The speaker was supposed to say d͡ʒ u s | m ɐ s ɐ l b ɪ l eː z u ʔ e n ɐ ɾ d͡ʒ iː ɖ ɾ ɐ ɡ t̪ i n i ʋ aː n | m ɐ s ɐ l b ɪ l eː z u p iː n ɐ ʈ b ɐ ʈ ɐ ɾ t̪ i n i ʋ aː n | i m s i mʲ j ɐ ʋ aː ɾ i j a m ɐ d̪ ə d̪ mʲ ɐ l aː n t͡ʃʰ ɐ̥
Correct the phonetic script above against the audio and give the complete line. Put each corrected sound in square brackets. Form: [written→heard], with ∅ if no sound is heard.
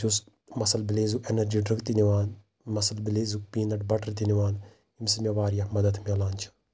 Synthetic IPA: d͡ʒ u s | m ɐ s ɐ l b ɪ l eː z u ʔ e n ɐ ɾ d͡ʒ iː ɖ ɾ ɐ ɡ t̪ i n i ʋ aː n | m ɐ s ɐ l b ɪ l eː z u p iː n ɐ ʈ b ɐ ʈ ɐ ɾ t̪ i n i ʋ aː n | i m s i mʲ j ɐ ʋ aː ɾ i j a m ɐ d̪ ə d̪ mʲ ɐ l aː n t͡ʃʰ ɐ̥

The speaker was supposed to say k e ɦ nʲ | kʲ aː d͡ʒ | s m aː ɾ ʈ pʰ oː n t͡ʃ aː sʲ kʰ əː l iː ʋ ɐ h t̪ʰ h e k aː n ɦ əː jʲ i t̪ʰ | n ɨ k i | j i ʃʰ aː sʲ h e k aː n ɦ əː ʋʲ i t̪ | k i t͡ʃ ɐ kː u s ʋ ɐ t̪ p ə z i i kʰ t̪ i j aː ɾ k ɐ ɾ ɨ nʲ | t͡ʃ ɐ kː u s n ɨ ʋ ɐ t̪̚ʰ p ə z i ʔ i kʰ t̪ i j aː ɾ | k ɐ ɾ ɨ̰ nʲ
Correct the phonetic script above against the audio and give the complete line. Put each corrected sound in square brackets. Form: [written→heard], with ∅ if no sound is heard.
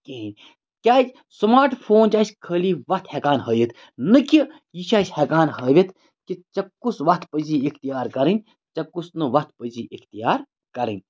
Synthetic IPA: k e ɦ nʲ | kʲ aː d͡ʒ | s m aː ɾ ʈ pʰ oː n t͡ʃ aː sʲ kʰ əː l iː ʋ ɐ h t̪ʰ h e k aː n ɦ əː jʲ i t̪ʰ | n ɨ k i | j i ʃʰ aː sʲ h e k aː n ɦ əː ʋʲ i t̪ | k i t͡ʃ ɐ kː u s ʋ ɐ t̪ p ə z i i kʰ t̪ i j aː ɾ k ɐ ɾ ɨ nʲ | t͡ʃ ɐ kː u s n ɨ ʋ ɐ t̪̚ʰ p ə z i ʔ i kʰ t̪ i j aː ɾ | k ɐ ɾ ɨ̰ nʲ

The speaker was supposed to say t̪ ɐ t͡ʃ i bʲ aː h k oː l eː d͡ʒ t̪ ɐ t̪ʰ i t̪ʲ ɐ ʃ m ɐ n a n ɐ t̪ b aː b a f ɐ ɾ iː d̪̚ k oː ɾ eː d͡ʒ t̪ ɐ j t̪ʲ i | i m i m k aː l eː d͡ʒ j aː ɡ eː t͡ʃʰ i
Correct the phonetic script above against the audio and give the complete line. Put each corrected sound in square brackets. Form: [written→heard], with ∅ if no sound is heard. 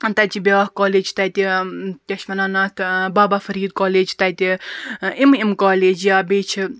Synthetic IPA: t̪ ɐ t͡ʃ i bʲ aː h k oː l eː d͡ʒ t̪ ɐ [t̪ʰ→t̪] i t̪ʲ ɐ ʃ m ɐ n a n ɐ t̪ b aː b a f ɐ ɾ iː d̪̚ k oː [ɾ→l] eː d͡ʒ t̪ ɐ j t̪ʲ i | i m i m k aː l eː d͡ʒ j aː [ɡ→b] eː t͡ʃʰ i

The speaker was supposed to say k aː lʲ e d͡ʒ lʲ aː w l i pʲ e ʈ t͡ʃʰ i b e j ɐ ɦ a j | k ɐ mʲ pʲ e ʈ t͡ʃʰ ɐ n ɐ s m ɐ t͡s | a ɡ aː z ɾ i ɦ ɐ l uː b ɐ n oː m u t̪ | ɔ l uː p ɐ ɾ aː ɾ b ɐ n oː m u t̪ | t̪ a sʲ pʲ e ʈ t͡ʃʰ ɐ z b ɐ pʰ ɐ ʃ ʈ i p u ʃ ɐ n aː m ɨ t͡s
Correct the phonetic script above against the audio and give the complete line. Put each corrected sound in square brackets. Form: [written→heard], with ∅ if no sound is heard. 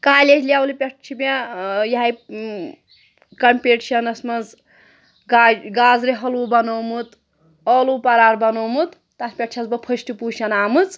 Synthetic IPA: k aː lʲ e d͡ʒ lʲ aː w l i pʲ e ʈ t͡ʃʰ i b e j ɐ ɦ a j | k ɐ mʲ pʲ e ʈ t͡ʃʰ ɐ n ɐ s m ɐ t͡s | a ɡ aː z ɾ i ɦ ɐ l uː b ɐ n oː m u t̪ | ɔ l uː p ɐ ɾ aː ɾ b ɐ n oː m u t̪ | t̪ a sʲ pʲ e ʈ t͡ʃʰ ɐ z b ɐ pʰ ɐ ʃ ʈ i p u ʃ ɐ n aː m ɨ t͡s

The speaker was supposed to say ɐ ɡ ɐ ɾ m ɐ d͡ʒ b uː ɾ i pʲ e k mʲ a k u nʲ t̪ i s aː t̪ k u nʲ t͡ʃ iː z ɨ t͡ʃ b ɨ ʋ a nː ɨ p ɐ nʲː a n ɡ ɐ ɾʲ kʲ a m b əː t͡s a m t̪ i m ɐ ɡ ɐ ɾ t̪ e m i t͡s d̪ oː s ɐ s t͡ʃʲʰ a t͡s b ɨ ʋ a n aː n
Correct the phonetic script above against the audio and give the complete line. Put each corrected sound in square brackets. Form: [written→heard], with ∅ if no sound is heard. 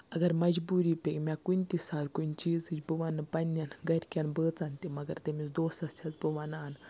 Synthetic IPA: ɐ ɡ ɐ ɾ m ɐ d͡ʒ b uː ɾ i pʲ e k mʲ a k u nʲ t̪ i s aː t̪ k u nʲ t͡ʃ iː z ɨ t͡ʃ b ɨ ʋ a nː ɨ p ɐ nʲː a n ɡ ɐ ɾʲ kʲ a [m→n] b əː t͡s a [m→n] t̪ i m ɐ ɡ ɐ ɾ t̪ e m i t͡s d̪ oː s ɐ s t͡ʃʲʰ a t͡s b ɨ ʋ a n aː n

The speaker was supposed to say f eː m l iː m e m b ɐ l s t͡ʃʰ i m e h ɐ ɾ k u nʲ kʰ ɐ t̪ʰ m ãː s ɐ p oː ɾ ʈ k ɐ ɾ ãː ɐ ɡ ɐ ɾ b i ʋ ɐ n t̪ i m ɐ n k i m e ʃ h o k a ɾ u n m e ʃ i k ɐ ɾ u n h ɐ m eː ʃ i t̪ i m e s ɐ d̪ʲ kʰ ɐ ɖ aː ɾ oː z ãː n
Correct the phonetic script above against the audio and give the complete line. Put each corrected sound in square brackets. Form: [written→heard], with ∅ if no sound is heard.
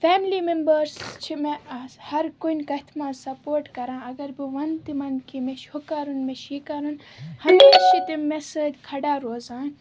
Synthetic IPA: f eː m l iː m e m b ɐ [l→ɾ] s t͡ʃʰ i m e h ɐ ɾ k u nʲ [kʰ→k] ɐ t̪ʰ m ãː s ɐ p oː ɾ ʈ k ɐ ɾ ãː ɐ ɡ ɐ ɾ b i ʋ ɐ n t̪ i m ɐ n k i m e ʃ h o k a ɾ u n m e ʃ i k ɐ ɾ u n h ɐ m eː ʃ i t̪ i m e s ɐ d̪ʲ kʰ ɐ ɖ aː ɾ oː z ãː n

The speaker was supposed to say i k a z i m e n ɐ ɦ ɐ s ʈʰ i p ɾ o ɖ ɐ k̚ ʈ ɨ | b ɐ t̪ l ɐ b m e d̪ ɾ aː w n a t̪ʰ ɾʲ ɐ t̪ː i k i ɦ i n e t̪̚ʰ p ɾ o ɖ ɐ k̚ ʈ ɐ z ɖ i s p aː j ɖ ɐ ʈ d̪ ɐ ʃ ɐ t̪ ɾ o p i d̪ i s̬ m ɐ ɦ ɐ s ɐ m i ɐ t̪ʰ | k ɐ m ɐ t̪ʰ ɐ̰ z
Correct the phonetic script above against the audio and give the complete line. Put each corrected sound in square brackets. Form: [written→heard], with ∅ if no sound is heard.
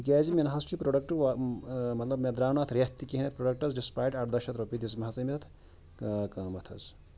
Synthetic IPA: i k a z i m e n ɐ ɦ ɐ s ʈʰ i p ɾ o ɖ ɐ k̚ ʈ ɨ | [b→m] ɐ t̪ l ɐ b m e d̪ ɾ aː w n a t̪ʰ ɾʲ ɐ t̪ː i k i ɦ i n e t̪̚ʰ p ɾ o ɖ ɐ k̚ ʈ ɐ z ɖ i s p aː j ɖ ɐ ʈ d̪ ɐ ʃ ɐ t̪ ɾ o p i d̪ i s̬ m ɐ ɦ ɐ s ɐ m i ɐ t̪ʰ | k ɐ m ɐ t̪ʰ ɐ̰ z

